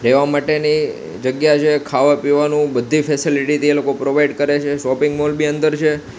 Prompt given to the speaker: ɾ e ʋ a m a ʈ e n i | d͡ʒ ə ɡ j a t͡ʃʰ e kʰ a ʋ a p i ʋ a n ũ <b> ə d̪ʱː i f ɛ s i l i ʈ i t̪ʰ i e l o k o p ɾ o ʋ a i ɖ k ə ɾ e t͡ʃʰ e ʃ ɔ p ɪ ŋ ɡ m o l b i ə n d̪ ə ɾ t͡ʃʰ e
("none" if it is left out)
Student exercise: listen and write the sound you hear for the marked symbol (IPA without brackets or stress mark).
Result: b